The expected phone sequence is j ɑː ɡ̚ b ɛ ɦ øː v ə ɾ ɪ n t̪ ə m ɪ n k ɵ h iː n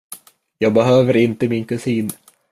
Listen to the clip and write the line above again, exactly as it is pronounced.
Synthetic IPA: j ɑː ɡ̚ b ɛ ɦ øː v ə ɾ ɪ n t̪ ə m ɪ n k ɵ s iː n